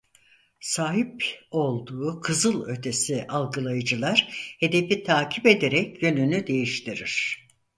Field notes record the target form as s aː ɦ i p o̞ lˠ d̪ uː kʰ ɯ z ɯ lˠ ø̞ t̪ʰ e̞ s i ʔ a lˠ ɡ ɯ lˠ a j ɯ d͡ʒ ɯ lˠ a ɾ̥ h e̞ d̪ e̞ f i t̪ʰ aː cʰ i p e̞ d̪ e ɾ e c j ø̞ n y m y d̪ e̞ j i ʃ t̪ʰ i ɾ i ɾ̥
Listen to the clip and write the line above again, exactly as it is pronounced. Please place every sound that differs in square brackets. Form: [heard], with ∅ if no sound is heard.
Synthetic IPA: s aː ɦ i p o̞ lˠ d̪ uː kʰ ɯ z ɯ lˠ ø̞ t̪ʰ e̞ s i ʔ a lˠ ɡ ɯ lˠ a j ɯ d͡ʒ ɯ lˠ a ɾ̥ h e̞ d̪ e̞ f i t̪ʰ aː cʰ i p e̞ d̪ e ɾ [ɛ] c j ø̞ n y [n] y d̪ e̞ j i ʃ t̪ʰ i ɾ i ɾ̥